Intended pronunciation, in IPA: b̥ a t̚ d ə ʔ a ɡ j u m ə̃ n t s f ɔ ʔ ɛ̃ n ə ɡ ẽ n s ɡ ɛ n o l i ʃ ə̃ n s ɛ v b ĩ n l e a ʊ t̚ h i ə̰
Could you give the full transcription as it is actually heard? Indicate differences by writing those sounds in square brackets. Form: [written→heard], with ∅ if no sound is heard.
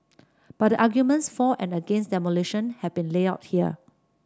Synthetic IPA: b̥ a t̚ d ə ʔ a ɡ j u m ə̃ n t s f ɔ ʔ ɛ̃ n ə ɡ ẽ n s [ɡ→d] ɛ [n→m] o l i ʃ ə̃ n [s→h] ɛ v b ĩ n l e a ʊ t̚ h i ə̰